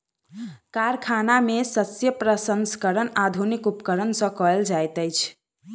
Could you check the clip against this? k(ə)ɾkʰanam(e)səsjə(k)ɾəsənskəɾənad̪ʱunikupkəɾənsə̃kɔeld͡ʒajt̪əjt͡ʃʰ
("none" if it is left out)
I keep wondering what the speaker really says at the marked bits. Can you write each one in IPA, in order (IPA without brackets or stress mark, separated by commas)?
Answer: a, e, p